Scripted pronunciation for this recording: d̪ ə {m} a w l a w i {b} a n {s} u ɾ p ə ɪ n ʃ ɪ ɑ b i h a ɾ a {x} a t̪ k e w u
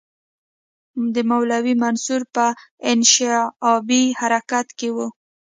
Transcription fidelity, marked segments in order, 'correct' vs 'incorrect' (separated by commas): correct, incorrect, correct, incorrect